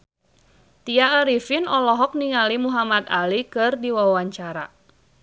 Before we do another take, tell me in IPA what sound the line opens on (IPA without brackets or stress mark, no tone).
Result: t̪